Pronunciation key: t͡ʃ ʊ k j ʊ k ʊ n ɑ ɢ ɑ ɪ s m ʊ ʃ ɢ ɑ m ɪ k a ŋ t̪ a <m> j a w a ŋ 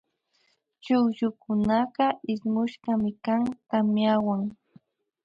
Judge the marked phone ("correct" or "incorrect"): correct